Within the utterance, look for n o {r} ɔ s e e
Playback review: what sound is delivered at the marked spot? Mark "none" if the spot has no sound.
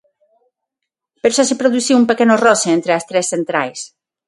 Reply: r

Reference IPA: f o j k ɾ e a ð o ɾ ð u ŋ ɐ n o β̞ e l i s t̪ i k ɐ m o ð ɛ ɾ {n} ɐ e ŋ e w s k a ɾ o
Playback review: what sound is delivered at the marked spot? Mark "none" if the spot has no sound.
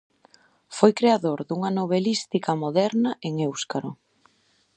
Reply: n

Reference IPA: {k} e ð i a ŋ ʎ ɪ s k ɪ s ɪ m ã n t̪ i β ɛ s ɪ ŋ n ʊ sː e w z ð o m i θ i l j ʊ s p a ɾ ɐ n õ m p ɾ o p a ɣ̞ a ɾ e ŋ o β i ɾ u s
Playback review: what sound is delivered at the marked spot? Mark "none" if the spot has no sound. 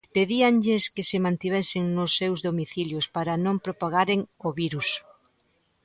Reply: p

